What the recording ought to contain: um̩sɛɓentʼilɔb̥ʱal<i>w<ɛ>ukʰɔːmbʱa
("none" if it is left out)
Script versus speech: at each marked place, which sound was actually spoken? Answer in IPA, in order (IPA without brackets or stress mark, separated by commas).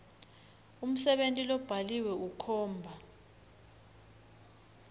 i, ɛ